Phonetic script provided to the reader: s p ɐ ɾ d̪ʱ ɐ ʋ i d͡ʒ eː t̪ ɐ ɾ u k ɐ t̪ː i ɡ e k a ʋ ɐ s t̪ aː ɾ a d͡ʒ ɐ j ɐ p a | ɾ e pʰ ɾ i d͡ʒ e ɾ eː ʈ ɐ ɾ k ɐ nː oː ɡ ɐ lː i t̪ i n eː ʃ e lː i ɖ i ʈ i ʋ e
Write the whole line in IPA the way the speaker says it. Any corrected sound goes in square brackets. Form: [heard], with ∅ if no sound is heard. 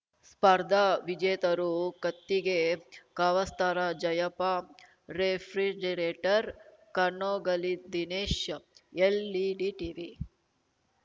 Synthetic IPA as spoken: s p ɐ ɾ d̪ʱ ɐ ʋ i d͡ʒ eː t̪ ɐ ɾ u k ɐ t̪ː i ɡ e k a ʋ ɐ s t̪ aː ɾ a d͡ʒ ɐ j ɐ p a | ɾ e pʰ ɾ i d͡ʒ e ɾ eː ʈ ɐ ɾ k ɐ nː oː ɡ ɐ [l] i [d̪] i n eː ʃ e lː i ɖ i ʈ i ʋ [i]